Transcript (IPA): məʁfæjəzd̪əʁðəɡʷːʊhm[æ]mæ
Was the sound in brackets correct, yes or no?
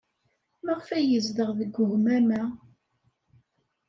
yes